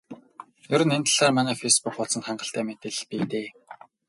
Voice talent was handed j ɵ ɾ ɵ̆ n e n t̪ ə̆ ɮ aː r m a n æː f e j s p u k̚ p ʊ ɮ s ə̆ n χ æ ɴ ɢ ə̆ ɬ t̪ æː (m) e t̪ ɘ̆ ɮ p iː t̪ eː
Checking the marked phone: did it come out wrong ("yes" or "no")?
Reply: no